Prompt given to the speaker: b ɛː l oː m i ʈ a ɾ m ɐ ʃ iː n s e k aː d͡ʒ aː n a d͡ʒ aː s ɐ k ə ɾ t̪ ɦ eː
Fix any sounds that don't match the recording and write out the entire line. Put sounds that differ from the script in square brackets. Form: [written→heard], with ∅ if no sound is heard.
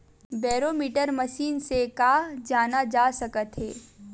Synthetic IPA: b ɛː [l→ɾ] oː m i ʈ [a→ə] ɾ m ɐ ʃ iː n s e k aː d͡ʒ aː n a d͡ʒ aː s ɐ k ə [ɾ→∅] t̪ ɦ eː